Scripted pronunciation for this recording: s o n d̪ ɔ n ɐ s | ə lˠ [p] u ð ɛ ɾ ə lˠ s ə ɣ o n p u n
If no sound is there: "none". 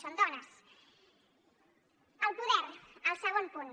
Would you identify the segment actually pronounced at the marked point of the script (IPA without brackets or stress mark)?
p